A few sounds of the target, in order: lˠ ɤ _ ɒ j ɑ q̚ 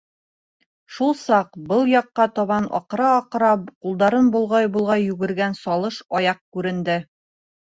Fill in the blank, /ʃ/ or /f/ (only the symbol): ʃ